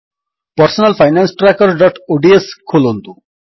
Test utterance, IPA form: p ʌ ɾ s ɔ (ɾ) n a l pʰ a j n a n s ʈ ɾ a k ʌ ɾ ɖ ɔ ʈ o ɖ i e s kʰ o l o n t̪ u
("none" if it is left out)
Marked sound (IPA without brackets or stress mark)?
none